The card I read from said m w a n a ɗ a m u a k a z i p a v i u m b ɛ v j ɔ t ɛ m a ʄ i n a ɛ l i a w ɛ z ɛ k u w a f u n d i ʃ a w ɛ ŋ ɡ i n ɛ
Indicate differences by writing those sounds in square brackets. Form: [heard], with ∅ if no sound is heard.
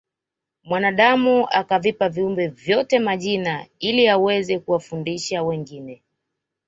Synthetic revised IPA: m w a n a ɗ a m u a k a [v] i p a v i u m b ɛ v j ɔ t ɛ m a ʄ i n a [i] l i a w ɛ z ɛ k u w a f u n d i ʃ a w ɛ ŋ ɡ i n ɛ